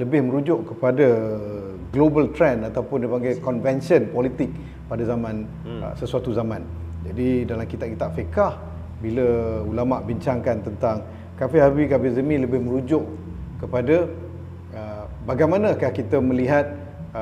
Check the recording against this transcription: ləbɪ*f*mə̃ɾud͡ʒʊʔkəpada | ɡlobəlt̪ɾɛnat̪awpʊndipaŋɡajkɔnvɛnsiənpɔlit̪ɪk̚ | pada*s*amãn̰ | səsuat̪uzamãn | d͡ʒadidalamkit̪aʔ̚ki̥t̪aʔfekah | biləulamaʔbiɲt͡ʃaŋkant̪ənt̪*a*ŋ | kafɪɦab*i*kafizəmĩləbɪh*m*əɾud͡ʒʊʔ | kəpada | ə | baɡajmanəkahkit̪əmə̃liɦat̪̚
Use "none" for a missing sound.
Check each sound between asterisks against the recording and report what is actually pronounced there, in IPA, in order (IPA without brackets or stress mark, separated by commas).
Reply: h, z, a, i, m